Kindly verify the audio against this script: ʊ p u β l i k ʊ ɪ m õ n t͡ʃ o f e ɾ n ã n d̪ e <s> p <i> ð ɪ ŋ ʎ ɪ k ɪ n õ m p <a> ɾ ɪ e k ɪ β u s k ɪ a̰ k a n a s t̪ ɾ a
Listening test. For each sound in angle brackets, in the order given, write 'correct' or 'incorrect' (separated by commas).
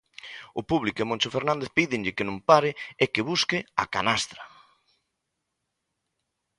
incorrect, correct, correct